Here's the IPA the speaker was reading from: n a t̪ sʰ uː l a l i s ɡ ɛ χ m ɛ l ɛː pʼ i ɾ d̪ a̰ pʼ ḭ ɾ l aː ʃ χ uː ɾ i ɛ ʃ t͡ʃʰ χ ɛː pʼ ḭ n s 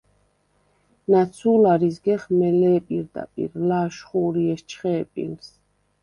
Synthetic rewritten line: n a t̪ sʰ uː l a ɾ i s ɡ ɛ χ m ɛ l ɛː pʼ i ɾ d̪ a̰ pʼ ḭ ɾ l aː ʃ χ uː ɾ i ɛ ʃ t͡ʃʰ χ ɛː pʼ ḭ n s